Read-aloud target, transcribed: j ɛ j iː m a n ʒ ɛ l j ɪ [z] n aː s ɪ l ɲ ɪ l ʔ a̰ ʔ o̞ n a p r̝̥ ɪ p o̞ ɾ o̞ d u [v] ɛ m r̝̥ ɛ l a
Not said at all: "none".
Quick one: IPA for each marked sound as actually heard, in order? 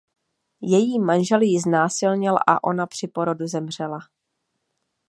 z, z

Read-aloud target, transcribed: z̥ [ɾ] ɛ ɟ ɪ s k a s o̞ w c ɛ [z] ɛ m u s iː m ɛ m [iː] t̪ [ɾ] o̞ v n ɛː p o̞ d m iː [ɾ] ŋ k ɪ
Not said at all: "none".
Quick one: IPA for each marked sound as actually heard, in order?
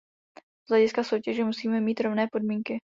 l, ʒ, iː, ɾ, none

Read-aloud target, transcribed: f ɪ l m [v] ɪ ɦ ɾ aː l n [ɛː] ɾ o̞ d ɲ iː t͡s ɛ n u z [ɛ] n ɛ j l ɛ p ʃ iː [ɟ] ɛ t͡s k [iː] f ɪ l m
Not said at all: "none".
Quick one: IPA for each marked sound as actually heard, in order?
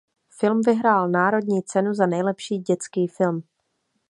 v, aː, a, ɟ, iː

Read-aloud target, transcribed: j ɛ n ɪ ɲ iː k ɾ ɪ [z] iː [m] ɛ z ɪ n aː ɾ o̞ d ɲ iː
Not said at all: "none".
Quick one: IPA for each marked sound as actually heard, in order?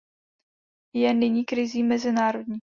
z, m

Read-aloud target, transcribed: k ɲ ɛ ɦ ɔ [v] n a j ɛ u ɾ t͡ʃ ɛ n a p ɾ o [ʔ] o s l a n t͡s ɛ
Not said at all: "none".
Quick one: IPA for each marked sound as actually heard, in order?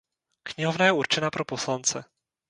v, p

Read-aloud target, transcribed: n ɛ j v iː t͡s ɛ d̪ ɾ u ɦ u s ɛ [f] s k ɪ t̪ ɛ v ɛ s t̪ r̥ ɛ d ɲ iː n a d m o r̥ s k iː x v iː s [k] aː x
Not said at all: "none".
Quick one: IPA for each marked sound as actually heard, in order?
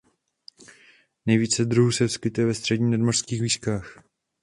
f, k

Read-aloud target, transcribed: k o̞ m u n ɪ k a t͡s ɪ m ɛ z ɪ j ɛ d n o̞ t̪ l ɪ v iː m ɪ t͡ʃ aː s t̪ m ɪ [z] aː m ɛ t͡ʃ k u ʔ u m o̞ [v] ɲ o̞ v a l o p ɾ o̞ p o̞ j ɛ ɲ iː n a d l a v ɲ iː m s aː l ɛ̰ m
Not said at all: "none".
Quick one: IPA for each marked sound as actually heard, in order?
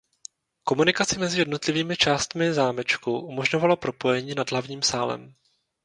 z, ʒ

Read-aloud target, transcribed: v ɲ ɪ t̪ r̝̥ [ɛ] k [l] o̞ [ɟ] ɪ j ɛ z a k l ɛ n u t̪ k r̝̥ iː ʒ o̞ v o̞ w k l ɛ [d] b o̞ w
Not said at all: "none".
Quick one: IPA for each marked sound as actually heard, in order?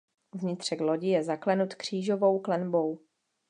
ɛ, l, ɟ, n

